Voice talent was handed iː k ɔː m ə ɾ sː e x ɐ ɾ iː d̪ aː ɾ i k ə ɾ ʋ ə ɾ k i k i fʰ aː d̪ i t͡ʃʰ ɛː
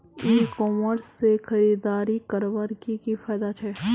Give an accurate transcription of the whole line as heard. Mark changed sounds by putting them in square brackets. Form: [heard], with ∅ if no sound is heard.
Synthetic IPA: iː k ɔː m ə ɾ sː e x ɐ ɾ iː d̪ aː ɾ i k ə ɾ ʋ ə ɾ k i k i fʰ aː d̪ [a] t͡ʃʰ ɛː